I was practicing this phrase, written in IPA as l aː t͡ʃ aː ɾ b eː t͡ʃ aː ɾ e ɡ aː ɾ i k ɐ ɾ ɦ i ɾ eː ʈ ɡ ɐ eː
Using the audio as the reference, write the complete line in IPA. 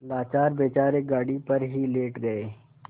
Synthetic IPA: l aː t͡ʃ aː ɾ b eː t͡ʃ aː ɾ e ɡ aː ɽ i p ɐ ɾ ɦ i l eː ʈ ɡ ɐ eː

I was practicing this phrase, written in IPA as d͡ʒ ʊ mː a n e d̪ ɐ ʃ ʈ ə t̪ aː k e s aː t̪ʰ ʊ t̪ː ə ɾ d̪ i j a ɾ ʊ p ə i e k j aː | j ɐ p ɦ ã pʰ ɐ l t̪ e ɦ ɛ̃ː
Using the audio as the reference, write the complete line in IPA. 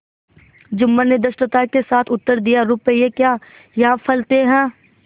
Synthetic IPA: d͡ʒ ʊ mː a n e d̪ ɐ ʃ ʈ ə t̪ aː k e s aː t̪ʰ ʊ t̪ː ə ɾ d̪ i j a ɾ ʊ p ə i e k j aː | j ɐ ɦ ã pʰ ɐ l t̪ e ɦ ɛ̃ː

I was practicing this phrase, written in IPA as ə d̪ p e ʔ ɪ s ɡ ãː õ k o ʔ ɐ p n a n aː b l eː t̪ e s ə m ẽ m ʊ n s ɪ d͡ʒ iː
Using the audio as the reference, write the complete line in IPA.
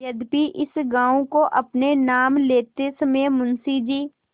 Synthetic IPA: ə d̪ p i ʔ ɪ s ɡ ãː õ k o ʔ ɐ p n e n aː m l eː t̪ e s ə m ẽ m ʊ n s i d͡ʒ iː

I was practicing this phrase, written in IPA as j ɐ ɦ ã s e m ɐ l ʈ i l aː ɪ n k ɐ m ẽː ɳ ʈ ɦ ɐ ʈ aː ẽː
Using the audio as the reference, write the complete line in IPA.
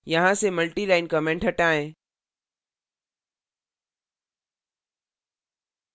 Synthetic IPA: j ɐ ɦ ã s e m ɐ l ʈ i l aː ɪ n k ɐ m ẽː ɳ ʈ ɦ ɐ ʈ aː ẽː

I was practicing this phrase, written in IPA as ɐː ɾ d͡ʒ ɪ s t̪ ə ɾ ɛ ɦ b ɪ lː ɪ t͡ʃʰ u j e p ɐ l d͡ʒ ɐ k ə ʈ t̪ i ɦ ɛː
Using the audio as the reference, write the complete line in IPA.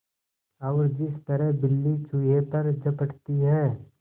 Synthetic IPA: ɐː ɾ d͡ʒ ɪ s t̪ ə ɾ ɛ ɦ b ɪ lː i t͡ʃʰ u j e p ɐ ɾ d͡ʒ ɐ p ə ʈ t̪ i ɦ ɛː

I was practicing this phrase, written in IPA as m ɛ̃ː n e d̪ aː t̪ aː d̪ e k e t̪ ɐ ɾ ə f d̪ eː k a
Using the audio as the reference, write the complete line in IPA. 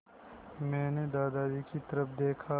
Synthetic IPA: m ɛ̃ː n e d̪ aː d̪ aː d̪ i k i t̪ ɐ ɾ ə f d̪ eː kʰ a

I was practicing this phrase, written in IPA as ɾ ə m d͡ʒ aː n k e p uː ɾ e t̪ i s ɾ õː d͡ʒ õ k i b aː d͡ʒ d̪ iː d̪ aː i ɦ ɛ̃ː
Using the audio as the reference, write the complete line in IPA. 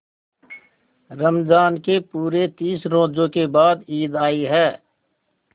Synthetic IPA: ɾ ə m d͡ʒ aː n k e p uː ɾ e t̪ iː s ɾ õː d͡ʒ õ k e b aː d̪ iː d̪ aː i ɦ ɛː

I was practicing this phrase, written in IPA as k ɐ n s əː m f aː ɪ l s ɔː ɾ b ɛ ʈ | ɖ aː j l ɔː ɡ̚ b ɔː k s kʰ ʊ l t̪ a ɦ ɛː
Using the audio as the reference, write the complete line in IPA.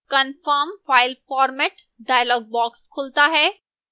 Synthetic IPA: k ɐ n f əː m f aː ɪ l f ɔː ɾ m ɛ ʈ | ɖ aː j l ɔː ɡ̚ b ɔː k s kʰ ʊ l t̪ a ɦ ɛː

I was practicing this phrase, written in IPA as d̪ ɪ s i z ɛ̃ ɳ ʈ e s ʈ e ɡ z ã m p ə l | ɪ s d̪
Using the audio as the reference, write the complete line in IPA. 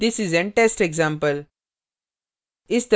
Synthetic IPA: d̪ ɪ s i z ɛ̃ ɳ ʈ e s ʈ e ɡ z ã m p ə l | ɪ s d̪

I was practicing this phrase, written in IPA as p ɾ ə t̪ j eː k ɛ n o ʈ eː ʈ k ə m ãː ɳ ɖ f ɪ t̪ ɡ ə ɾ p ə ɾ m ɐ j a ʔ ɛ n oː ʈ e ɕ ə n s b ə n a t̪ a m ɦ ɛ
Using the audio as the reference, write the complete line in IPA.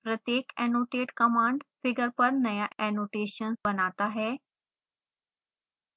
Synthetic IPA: p ɾ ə t̪ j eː k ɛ n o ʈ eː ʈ k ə m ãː ɳ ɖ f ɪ ɡ ə ɾ p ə ɾ n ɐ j a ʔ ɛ n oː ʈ e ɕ ə n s b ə n a t̪ a ɦ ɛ

